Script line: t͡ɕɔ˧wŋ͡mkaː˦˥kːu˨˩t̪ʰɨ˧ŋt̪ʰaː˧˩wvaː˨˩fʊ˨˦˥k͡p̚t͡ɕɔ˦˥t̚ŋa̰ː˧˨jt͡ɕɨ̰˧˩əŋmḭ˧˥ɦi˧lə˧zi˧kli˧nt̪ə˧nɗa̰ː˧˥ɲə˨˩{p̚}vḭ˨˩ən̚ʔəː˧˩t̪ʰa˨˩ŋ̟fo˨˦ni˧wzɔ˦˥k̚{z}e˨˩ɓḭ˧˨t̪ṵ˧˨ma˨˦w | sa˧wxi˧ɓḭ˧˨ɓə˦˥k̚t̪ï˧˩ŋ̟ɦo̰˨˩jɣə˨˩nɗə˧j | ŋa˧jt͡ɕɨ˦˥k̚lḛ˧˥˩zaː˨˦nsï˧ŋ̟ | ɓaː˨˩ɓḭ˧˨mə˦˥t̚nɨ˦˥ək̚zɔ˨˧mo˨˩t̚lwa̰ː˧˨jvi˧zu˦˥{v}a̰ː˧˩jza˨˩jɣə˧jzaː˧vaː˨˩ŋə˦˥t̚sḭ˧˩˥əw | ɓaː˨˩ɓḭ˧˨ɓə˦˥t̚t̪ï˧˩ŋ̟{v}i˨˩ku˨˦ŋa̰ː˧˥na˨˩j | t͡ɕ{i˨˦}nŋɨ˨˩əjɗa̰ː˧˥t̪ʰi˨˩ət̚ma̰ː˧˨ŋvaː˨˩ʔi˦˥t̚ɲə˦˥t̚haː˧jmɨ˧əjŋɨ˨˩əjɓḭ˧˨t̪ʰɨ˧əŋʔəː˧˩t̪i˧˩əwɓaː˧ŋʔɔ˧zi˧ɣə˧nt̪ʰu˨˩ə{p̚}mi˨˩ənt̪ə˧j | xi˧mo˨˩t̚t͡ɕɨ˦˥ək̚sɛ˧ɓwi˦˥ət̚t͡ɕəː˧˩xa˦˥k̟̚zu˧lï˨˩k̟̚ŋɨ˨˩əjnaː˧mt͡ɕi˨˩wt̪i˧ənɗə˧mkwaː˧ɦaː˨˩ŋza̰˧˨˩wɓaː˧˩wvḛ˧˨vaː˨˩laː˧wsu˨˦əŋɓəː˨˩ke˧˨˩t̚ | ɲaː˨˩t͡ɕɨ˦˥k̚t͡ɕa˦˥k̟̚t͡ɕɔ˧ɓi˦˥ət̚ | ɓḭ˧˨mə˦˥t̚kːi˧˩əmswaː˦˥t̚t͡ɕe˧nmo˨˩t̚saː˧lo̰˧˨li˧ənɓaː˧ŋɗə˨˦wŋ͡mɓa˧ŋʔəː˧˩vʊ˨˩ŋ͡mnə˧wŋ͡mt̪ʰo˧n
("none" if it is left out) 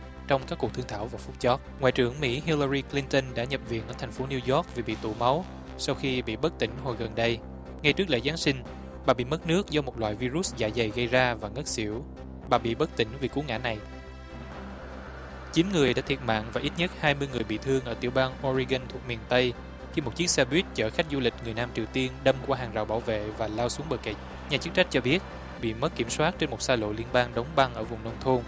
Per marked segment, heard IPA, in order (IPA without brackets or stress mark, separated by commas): p̚, v, z, v, i˨˦, k̚